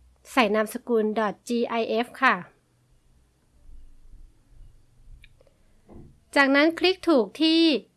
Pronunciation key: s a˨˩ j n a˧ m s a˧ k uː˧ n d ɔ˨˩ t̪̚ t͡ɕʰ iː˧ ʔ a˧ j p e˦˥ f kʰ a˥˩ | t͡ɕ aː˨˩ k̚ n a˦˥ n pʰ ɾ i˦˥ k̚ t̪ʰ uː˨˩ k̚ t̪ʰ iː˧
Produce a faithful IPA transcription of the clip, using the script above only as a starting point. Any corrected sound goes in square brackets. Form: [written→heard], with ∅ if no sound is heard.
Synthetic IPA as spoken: s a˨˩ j n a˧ m s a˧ k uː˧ n d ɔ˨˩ t̪̚ [t͡ɕʰ→t͡ɕ] iː˧ ʔ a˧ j [p→ʔ] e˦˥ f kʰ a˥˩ | t͡ɕ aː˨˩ k̚ n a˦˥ n [pʰ→kʰ] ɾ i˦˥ k̚ t̪ʰ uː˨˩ k̚ t̪ʰ [iː˧→iː˥˩]